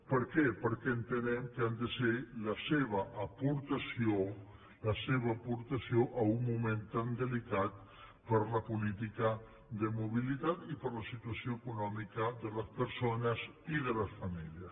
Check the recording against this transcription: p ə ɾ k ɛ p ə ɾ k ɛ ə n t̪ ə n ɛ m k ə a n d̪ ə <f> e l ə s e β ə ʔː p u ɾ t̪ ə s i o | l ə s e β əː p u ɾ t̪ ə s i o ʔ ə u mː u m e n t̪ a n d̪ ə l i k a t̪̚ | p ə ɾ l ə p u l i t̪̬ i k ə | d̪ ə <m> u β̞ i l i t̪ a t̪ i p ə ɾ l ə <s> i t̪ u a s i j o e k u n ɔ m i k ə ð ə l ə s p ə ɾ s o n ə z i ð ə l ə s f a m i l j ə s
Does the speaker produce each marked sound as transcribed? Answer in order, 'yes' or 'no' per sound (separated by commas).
no, yes, yes